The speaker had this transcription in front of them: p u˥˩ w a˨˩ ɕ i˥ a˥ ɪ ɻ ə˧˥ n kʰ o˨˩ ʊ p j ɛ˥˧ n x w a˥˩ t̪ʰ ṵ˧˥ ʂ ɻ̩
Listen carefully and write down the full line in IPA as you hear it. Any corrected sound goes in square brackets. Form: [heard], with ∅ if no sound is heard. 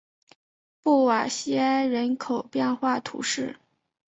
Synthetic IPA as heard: p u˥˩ w a˨˩ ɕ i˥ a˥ ɪ ɻ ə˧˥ n kʰ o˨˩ ʊ p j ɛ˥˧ n x w a˥˩ t̪ʰ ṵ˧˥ ʂ ɻ̩